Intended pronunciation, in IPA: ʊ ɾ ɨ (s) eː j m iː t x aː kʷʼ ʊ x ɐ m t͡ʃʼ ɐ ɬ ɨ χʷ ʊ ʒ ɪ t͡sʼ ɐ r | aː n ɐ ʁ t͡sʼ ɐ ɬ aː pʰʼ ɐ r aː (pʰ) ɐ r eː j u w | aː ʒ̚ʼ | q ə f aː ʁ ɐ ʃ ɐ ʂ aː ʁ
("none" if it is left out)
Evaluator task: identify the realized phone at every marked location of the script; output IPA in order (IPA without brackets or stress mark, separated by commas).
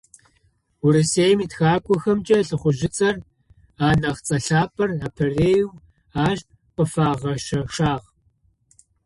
s, pʰ